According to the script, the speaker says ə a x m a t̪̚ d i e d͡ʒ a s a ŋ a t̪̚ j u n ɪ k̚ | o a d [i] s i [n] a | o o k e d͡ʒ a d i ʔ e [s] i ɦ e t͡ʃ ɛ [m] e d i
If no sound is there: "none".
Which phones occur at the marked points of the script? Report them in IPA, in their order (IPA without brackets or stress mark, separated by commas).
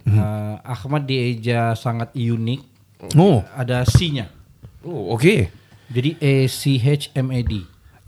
a, ɲ, s, m